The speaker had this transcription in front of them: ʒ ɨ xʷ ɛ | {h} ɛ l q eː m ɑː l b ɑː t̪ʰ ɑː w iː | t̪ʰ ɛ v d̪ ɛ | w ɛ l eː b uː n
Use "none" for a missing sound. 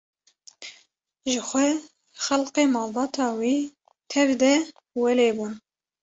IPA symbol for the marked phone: x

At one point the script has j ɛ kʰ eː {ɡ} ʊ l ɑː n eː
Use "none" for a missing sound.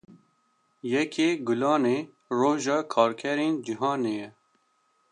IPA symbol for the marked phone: ɡ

